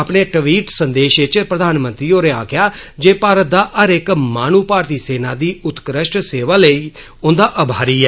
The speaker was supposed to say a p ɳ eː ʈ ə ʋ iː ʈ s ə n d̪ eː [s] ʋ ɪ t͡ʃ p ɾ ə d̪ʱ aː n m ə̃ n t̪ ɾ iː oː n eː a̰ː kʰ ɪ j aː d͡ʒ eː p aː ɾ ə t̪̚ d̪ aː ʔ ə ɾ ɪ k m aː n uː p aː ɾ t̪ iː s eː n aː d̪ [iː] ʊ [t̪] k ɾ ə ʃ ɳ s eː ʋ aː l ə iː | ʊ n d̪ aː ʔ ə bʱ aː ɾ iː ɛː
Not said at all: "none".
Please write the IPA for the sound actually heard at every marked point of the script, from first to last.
ʃ, iː, t̪

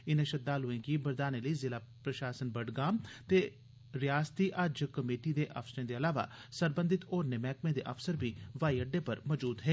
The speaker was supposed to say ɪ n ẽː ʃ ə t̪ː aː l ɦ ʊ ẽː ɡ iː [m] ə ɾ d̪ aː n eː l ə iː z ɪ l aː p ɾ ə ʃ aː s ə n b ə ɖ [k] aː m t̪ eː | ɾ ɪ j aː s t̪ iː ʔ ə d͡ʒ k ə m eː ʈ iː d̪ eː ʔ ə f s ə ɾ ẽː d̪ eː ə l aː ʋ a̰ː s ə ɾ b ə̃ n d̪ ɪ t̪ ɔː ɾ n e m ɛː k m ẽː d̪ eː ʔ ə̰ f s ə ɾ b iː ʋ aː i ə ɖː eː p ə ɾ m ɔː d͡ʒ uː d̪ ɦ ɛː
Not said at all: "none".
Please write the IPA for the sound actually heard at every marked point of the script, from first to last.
b, ɡ

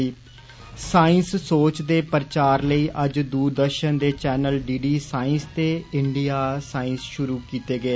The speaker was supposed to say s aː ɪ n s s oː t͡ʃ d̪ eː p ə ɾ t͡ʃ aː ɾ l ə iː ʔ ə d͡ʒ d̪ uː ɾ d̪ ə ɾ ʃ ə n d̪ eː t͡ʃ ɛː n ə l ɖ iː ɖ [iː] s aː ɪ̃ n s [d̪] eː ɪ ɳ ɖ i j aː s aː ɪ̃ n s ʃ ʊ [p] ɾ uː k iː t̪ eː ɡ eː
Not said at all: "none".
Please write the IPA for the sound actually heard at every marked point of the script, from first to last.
iː, t̪, none

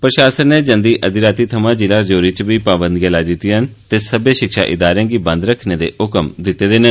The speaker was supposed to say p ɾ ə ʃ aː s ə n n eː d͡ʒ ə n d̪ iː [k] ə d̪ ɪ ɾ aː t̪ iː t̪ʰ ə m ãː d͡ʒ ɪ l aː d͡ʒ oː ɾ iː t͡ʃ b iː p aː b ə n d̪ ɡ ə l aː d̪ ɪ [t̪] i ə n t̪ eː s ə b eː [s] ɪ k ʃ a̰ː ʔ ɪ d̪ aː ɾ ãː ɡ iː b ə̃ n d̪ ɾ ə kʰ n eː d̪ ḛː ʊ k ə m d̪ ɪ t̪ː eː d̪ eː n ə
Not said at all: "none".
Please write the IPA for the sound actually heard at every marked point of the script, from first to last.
ʔ, t̪, ʃ

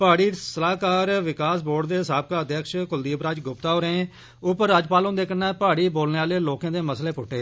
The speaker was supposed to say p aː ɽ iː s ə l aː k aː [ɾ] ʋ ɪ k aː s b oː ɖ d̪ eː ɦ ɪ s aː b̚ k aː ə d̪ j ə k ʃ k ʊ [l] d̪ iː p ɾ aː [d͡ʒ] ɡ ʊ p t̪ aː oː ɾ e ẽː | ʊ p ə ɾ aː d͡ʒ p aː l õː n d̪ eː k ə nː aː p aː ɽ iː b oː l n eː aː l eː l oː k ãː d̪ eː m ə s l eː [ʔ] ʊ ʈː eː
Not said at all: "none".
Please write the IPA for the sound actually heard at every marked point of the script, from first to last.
ɾ, l, d͡ʒ, p

